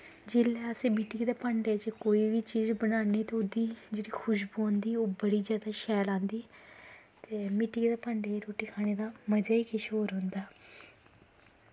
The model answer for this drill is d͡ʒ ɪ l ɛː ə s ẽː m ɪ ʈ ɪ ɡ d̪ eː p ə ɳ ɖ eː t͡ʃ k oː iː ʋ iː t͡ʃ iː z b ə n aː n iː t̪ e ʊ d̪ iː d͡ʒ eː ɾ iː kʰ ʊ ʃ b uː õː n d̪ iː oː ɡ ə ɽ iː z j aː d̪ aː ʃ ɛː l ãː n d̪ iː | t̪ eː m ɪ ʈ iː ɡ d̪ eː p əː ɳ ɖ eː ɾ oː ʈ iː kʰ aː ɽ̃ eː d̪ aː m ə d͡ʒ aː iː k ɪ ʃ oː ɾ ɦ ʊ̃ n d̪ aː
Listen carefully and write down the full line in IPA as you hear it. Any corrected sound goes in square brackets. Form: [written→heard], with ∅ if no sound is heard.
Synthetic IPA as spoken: d͡ʒ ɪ l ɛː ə s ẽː m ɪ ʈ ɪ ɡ d̪ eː p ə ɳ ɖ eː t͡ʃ k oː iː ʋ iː t͡ʃ iː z b ə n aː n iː t̪ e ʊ d̪ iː d͡ʒ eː [ɾ→ɽ] iː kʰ ʊ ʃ b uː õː n d̪ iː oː [ɡ→b] ə ɽ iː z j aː d̪ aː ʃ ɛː l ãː n d̪ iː | t̪ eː m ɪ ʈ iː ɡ d̪ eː p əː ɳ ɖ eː ɾ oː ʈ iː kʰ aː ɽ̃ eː d̪ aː m ə d͡ʒ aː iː k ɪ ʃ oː ɾ ɦ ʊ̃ n d̪ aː